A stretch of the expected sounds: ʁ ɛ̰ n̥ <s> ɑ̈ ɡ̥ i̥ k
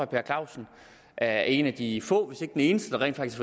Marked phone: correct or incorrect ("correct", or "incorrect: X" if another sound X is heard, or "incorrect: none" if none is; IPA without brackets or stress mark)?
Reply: incorrect: f